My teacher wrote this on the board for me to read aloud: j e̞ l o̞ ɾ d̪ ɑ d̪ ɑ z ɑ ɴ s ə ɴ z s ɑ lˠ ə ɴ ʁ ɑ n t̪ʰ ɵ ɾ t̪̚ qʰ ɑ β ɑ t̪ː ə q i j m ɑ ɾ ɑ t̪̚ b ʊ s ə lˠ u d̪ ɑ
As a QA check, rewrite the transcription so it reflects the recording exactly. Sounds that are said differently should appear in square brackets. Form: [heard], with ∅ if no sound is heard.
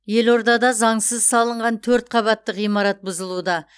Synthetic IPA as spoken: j e̞ l o̞ ɾ d̪ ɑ d̪ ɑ z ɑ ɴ s ə [∅] z s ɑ lˠ ə ɴ ʁ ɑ n t̪ʰ ɵ ɾ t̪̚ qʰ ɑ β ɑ t̪ː ə q i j m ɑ ɾ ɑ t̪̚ b ʊ [z] ə lˠ u d̪ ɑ